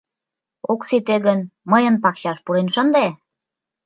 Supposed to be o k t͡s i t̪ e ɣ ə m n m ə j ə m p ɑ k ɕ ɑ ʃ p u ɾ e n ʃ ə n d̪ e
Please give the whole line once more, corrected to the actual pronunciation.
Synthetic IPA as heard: o k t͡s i t̪ e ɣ ə n m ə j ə n p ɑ k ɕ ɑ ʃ p u ɾ e n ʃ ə n d̪ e